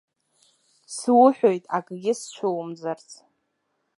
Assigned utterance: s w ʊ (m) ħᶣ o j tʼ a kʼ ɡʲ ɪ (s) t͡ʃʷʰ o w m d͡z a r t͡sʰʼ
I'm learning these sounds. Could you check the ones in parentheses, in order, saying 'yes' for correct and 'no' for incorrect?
no, yes

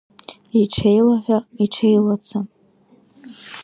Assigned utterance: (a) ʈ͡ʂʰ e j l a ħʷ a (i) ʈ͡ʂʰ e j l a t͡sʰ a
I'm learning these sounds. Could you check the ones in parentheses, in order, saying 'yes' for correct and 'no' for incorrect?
no, yes

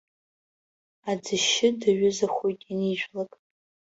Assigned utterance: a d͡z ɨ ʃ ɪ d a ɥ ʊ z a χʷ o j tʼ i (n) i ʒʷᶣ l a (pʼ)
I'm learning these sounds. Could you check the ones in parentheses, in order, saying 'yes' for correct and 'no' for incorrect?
yes, no

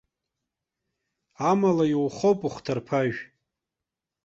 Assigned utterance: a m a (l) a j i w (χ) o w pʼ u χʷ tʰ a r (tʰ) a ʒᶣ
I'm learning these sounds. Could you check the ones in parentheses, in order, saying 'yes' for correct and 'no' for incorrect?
yes, yes, no

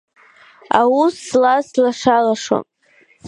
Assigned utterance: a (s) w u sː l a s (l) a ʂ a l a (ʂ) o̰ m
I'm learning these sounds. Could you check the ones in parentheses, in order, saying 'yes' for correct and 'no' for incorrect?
no, yes, yes

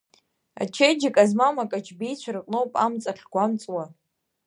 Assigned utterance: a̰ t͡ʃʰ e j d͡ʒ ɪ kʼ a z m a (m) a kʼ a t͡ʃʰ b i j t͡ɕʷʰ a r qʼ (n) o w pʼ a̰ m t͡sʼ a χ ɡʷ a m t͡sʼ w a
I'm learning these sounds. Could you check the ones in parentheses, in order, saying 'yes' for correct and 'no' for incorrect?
yes, yes

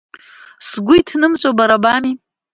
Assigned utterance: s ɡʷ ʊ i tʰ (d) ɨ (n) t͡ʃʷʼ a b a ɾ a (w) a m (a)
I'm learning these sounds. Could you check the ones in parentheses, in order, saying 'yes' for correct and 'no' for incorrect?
no, no, no, no

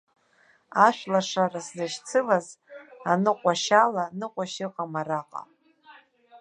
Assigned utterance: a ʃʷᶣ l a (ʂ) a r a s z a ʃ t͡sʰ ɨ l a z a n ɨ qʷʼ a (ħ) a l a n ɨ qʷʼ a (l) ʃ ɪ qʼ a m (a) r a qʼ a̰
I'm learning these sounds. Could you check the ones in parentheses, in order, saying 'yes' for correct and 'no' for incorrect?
yes, no, no, yes

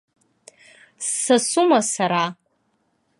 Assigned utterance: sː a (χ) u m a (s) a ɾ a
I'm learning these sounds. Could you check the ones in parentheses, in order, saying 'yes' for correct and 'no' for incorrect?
no, yes

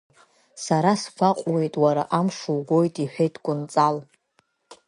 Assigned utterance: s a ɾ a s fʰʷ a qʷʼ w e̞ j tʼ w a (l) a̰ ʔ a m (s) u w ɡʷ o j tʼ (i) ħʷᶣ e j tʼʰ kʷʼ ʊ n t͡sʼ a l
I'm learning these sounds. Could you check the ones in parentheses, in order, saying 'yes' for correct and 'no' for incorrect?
no, no, yes

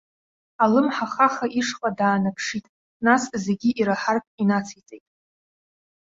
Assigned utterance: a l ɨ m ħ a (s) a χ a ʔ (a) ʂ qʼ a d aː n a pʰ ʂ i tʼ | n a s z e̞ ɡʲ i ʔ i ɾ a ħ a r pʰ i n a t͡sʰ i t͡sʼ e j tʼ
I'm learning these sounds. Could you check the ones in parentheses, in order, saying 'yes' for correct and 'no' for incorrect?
no, no

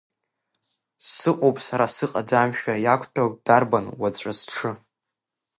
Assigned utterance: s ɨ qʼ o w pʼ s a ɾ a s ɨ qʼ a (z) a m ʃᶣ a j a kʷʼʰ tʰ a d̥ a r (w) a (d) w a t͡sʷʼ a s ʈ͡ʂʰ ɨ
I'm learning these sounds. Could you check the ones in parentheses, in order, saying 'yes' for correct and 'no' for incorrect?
no, no, no

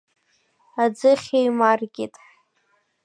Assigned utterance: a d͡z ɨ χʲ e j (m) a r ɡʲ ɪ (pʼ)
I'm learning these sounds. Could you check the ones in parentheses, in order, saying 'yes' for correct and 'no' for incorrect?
yes, no

